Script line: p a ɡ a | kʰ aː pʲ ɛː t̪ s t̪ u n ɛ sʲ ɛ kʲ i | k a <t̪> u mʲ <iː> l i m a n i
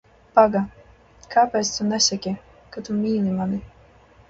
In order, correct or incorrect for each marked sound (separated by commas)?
correct, correct